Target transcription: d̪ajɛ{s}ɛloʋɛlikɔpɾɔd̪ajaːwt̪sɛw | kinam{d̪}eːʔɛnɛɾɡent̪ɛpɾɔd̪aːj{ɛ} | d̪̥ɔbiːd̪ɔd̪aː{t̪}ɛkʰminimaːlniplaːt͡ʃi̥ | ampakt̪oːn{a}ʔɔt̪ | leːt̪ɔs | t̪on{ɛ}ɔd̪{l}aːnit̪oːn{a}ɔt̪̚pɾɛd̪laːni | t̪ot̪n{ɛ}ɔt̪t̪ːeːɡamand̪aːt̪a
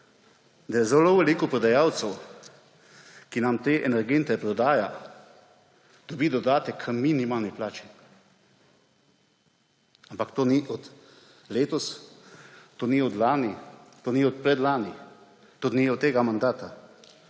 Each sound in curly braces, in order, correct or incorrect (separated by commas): incorrect, incorrect, incorrect, correct, incorrect, incorrect, correct, incorrect, incorrect